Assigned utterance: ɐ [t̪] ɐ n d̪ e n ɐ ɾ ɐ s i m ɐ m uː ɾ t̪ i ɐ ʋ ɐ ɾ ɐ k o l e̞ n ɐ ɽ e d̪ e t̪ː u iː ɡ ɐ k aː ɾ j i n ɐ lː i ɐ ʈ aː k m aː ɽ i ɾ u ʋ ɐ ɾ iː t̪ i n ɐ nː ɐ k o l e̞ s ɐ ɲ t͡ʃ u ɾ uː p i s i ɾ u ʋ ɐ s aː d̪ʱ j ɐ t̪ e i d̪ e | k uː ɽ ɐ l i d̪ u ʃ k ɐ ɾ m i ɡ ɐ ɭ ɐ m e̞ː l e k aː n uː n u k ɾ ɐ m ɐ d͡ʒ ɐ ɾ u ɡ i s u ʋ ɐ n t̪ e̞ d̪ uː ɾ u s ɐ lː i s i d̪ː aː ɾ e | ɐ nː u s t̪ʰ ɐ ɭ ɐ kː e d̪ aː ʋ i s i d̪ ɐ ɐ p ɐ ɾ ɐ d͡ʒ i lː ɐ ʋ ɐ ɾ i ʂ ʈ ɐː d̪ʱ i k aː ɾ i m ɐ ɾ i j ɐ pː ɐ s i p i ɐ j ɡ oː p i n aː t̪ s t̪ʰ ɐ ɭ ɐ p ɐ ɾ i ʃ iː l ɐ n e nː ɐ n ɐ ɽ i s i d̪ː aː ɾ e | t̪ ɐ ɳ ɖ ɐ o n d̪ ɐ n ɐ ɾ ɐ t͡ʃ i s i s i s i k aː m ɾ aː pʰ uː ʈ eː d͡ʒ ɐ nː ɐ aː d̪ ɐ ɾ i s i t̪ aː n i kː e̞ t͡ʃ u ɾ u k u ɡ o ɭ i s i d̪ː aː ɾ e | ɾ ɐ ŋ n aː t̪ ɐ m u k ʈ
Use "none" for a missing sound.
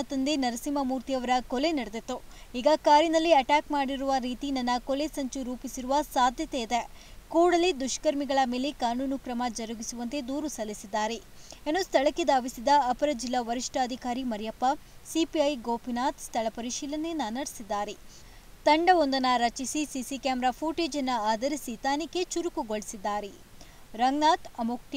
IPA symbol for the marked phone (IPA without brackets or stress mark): t̪